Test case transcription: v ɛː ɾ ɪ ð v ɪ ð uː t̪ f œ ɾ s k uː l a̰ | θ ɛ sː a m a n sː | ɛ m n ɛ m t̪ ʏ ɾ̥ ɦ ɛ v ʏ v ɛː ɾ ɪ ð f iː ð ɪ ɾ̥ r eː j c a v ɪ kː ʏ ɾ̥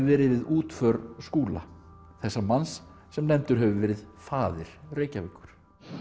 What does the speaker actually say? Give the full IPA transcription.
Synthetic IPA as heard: v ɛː ɾ ɪ ð v ɪ ð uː t̪ f œ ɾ s k uː l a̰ | θ ɛ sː a m a n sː | ɛ m n ɛ m t̪ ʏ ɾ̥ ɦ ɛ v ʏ v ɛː ɾ ɪ ð f aː ð ɪ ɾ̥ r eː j c a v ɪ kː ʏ ɾ̥

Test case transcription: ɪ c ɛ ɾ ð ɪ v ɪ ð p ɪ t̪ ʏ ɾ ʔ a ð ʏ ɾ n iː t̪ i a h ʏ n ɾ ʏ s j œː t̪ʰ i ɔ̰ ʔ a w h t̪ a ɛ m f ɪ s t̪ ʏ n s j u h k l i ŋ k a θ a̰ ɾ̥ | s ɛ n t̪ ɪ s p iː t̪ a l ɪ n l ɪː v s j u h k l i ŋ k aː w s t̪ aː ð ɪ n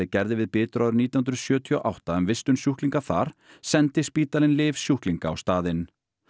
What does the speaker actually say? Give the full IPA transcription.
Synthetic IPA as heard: ɪ c ɛ ɾ ð ɪ v ɪ ð p ɪː t̪ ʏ ɾ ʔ a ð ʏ ɾ n iː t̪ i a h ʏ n ɾ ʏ s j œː t̪ʰ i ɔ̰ ʔ a w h t̪ a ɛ m v ɪ s t̪ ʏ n s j u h k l i ŋ k a θ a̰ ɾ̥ | s ɛ n t̪ ɪ s p iː t̪ a l ɪ n l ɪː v s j u h k l i ŋ k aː w s t̪ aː ð ɪ n

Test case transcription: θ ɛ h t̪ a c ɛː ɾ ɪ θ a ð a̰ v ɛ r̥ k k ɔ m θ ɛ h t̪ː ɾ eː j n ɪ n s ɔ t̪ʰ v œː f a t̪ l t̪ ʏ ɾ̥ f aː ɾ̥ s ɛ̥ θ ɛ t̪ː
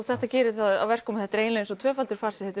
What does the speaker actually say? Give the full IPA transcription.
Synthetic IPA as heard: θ ɛ h t̪ a c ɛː ɾ ɪ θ a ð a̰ v ɛ r̥ k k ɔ m θ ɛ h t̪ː ɾ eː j n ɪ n s ɔ t̪ʰ v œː f a l t̪ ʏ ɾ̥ f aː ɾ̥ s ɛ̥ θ ɛ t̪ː

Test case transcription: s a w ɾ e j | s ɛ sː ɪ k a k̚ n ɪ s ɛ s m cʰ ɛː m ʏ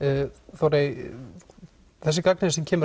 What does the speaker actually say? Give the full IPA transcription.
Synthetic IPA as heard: θ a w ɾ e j | θ ɛ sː ɪ k a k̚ n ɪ s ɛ m cʰ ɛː m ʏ

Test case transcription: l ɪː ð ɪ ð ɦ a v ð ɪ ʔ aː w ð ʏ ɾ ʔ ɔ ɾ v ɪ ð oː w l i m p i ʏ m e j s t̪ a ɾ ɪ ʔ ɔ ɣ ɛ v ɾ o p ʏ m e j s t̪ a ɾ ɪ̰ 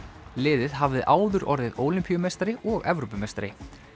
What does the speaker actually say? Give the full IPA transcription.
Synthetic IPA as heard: l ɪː ð ɪ ð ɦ a v ð ɪ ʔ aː w ð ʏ ɾ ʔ ɔ ɾ ð ɪ ð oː w l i m p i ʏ m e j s t̪ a ɾ ɪ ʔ ɔ ɣ ɛ v ɾ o p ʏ m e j s t̪ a ɾ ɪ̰

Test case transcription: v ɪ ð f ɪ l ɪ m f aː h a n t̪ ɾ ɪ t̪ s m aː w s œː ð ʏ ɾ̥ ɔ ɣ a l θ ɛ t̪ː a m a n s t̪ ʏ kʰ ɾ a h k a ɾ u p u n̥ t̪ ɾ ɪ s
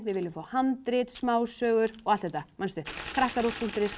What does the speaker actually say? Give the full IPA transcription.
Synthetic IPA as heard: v ɪ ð v ɪ l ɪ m f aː h a n t̪ ɾ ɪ t̪ s m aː w s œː ɣ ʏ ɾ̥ ɔ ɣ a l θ ɛ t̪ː a m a n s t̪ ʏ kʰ ɾ a h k a ɾ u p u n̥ t̪ ɾ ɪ s

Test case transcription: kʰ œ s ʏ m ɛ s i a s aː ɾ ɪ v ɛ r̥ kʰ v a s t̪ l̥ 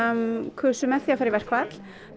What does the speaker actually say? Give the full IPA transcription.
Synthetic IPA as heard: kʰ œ s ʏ m ɛ θ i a f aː ɾ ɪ v ɛ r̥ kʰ v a t̪ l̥

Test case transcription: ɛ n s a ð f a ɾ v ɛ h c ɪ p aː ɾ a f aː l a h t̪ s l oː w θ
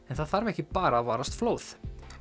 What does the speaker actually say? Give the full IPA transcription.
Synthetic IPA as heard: ɛ n θ a ð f a ɾ v ɛ h c ɪ p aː ɾ a v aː ɾ a s t̪ f l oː w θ

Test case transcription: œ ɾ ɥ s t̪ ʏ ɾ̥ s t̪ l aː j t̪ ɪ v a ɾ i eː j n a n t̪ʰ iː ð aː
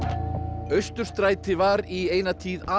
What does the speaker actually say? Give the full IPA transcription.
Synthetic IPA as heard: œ ɥ s t̪ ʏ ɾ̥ s t̪ ɾ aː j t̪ ɪ v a ɾ i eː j n a t̪ʰ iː ð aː

